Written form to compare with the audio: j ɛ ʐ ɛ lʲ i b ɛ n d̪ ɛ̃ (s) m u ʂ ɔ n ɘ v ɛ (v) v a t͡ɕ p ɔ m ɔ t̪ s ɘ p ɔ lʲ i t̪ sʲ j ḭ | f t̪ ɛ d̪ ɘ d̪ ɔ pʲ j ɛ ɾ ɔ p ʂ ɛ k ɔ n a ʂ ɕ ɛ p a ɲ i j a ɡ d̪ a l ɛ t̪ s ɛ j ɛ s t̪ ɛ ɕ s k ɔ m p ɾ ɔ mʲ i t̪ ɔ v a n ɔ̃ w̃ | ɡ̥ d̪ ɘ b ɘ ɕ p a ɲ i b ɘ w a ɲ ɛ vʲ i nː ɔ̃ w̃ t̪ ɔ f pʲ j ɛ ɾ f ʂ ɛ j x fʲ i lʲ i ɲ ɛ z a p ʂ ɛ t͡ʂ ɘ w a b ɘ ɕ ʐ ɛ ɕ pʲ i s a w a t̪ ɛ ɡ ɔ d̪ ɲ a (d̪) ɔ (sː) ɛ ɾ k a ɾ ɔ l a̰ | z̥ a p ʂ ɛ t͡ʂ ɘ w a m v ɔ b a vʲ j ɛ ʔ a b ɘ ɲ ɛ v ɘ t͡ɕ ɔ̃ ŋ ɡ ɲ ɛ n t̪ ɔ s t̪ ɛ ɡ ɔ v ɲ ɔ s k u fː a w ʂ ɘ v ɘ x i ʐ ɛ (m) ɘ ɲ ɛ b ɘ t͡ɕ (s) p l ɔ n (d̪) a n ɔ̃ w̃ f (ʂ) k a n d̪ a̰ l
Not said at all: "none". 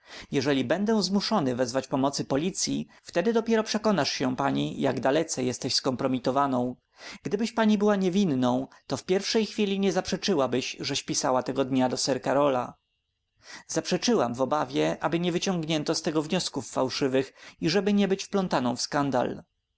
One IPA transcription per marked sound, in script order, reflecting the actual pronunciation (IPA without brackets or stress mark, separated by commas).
z, z, d̪, s, b, f, t̪, s